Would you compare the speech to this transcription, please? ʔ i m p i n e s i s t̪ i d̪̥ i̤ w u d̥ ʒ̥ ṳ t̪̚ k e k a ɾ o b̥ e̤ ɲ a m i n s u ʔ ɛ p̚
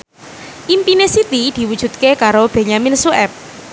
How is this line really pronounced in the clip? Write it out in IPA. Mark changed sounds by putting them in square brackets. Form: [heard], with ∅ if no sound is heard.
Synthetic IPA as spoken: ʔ i m p i n e s i [∅] t̪ i d̪̥ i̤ w u d̥ ʒ̥ ṳ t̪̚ k e k a ɾ o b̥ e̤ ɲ a m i n s u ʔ ɛ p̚